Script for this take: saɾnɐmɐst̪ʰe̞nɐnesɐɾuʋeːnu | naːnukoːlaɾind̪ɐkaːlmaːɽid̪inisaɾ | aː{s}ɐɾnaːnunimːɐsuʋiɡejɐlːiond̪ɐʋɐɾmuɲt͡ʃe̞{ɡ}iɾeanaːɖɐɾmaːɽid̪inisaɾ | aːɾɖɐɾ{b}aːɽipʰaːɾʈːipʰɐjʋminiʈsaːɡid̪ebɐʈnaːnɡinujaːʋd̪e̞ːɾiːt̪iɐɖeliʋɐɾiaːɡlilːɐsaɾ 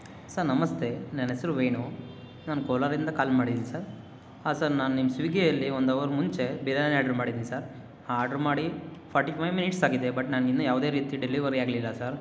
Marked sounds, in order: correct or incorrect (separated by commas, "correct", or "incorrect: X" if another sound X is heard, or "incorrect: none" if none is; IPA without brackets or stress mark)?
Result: correct, incorrect: b, incorrect: m